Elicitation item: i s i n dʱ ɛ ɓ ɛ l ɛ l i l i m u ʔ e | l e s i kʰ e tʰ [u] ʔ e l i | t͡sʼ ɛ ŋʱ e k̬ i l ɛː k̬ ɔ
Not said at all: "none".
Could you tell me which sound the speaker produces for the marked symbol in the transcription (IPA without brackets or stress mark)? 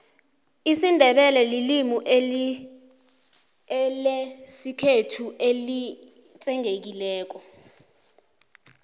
u